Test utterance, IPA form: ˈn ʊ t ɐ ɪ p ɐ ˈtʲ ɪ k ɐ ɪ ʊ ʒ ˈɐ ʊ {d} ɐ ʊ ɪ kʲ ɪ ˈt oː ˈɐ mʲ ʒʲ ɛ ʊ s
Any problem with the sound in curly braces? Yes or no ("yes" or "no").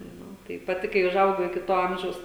yes